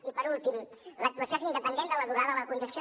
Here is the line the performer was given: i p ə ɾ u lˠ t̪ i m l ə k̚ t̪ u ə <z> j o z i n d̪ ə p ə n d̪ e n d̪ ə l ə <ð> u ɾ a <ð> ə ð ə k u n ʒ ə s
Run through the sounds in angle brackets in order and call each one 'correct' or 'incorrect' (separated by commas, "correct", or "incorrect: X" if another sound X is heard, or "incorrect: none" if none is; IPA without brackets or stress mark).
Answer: incorrect: s, correct, correct